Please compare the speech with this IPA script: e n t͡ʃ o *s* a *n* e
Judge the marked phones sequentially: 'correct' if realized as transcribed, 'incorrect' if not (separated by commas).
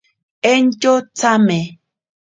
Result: incorrect, incorrect